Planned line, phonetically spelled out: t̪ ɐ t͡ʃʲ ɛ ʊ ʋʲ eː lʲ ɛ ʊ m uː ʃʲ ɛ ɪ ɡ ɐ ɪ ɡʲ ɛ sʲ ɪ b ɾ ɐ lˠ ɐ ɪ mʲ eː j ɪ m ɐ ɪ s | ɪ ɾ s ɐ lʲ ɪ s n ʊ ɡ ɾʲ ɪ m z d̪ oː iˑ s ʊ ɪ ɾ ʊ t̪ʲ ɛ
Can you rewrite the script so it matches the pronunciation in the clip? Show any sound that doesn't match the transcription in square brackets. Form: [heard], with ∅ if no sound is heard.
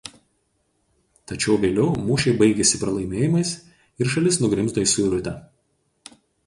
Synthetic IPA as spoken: t̪ ɐ t͡ʃʲ ɛ ʊ ʋʲ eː lʲ ɛ ʊ m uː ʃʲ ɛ ɪ [b] ɐ ɪ ɡʲ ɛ sʲ ɪ [p] ɾ ɐ lˠ ɐ ɪ mʲ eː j ɪ m ɐ ɪ s | ɪ ɾ [ʃ] ɐ lʲ ɪ s n ʊ ɡ ɾʲ ɪ m z d̪ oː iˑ s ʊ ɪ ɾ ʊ t̪ʲ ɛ